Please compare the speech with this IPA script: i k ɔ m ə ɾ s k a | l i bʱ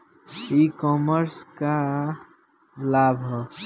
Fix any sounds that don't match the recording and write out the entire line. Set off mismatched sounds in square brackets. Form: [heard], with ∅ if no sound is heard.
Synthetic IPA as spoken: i k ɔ m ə ɾ s k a | l [a] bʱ